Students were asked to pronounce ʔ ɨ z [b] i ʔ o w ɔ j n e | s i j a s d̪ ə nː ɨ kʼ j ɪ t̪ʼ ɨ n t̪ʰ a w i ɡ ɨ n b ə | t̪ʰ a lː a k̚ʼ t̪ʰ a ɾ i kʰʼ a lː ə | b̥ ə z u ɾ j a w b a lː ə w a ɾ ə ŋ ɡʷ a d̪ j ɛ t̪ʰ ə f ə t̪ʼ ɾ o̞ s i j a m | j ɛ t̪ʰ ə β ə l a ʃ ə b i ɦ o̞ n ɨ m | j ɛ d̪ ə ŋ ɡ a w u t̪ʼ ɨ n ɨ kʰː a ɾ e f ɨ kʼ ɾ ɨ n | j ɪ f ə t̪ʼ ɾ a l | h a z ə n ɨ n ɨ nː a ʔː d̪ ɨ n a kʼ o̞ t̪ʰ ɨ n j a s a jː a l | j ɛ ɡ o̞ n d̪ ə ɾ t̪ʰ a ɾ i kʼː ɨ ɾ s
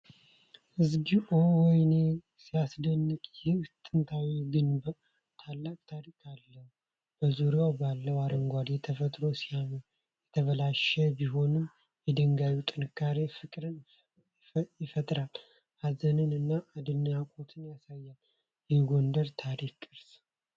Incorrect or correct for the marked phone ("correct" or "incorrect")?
incorrect